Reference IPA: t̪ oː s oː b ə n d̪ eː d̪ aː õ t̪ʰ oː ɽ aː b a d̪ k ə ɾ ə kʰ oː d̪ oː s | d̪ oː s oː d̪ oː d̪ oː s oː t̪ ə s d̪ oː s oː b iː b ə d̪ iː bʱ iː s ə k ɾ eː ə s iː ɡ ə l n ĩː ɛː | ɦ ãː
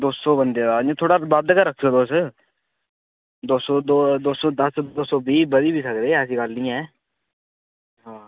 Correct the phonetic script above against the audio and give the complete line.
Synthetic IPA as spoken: d̪ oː s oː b ə n d̪ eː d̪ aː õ t̪ʰ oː ɽ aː b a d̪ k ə ɾ ə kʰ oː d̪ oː s | d̪ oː s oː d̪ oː d̪ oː s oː d̪ ə s d̪ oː s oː b iː b ə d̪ iː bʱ iː s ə k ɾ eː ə s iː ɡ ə l n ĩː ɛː | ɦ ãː